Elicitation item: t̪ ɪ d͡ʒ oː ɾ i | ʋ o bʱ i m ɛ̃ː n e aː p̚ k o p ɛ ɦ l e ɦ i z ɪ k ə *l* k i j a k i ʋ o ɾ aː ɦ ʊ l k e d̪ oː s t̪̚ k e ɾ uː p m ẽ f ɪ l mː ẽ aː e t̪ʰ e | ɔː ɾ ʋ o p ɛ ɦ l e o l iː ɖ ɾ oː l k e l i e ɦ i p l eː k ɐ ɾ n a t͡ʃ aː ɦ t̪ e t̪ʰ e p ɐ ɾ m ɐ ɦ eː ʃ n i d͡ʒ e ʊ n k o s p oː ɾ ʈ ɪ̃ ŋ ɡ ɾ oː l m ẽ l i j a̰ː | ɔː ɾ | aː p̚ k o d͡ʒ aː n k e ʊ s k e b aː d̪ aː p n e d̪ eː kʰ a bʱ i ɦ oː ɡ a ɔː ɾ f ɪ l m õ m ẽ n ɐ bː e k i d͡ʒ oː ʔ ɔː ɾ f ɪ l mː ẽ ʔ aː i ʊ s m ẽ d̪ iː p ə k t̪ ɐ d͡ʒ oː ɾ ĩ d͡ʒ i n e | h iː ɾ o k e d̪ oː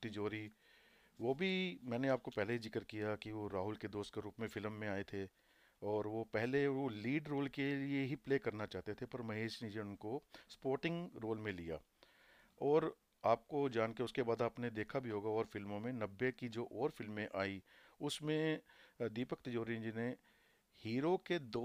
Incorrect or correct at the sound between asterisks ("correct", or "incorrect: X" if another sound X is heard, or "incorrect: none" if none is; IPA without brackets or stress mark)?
incorrect: ɾ